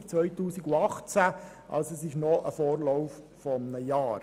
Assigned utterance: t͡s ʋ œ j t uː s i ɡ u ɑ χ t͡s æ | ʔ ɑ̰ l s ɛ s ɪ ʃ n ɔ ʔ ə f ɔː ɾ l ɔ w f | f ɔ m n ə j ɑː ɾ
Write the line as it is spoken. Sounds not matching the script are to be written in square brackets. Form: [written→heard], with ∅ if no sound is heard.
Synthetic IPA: t͡s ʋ œ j t uː s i ɡ u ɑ χ t͡s æ | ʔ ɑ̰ l s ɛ s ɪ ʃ n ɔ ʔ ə f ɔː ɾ l ɔ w f | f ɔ m n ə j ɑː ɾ